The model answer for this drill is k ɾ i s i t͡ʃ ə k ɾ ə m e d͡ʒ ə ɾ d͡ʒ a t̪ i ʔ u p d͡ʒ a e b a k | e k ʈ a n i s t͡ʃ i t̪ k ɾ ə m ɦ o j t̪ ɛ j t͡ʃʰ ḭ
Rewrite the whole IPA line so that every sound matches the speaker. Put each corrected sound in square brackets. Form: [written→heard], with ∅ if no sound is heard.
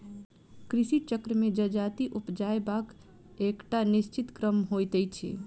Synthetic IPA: k ɾ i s i t͡ʃ ə k ɾ ə m e d͡ʒ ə [ɾ→∅] d͡ʒ a t̪ i ʔ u p d͡ʒ a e b a k | e k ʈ a n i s t͡ʃ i t̪ k ɾ ə m ɦ o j t̪ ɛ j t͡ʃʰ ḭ